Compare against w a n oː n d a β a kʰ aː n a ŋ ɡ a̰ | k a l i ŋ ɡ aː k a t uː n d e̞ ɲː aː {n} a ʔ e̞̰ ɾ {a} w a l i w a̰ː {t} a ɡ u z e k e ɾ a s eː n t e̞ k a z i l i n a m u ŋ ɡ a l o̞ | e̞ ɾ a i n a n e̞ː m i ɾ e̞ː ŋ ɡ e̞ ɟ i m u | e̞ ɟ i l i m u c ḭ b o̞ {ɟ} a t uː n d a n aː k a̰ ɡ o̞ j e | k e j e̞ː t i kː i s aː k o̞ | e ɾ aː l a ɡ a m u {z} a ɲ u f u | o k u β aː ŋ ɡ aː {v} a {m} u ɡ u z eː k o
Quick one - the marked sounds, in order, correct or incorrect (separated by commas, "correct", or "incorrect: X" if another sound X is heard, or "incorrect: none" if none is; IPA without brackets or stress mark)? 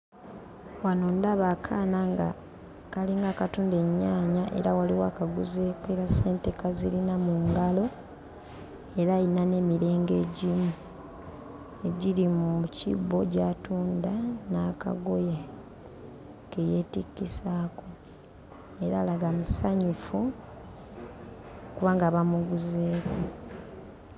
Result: incorrect: ɲ, correct, incorrect: k, correct, incorrect: s, incorrect: β, correct